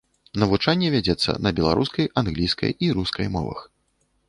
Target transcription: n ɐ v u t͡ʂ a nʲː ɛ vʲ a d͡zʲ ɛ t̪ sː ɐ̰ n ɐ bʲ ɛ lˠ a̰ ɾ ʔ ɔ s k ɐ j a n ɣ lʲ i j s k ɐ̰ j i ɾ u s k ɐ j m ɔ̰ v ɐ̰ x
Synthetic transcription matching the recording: n ɐ v u t͡ʂ a nʲː ɛ vʲ a d͡zʲ ɛ t̪ sː ɐ̰ n ɐ bʲ ɛ lˠ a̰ ɾ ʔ u s k ɐ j a n ɣ lʲ i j s k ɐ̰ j i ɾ u s k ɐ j m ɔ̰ v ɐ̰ x